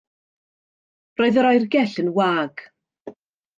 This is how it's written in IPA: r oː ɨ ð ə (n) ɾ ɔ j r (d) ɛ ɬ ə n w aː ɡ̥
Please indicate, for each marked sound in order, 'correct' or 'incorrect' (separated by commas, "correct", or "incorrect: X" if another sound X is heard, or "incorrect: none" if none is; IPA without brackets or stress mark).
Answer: incorrect: none, incorrect: ɡ